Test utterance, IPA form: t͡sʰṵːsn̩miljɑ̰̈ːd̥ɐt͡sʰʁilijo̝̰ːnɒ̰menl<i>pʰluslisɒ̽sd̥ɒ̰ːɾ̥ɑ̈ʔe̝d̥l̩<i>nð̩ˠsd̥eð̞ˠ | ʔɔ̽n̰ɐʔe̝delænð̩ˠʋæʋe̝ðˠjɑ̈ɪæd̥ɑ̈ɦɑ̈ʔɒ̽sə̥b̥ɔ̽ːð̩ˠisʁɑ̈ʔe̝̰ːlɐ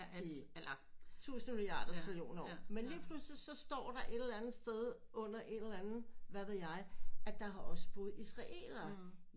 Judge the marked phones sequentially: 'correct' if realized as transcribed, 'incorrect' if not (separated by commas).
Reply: incorrect, incorrect